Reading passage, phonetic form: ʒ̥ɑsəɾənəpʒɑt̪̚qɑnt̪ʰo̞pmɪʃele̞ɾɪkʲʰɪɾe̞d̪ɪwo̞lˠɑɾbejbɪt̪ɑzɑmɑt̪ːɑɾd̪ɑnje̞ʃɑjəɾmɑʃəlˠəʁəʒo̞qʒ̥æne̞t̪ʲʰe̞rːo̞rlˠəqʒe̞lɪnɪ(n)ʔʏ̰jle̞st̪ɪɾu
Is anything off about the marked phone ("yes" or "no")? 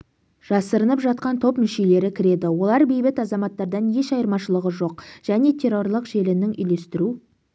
yes